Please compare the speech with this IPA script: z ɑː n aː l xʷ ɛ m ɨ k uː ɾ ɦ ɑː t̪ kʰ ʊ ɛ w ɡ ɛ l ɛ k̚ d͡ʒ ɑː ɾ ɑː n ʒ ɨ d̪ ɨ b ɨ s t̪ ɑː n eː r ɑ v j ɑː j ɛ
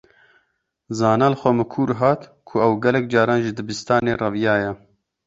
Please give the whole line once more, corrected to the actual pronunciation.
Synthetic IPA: z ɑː n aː l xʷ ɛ m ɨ kʰ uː ɾ ɦ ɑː t̪ kʰ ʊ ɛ w ɡ ɛ l ɛ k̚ d͡ʒ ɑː ɾ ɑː n ʒ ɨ d̪ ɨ b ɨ s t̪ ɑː n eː r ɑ v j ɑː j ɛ